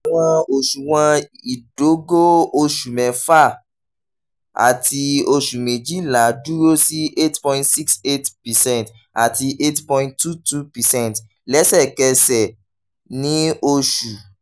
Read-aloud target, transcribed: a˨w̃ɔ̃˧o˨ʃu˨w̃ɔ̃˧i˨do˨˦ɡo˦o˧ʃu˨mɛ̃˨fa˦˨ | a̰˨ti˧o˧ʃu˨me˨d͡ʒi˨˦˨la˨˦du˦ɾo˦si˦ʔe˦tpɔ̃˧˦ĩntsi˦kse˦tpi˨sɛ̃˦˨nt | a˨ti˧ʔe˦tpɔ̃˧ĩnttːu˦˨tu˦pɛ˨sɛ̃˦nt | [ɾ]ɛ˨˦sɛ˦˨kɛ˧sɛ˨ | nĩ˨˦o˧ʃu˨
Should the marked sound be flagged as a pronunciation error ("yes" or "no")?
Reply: yes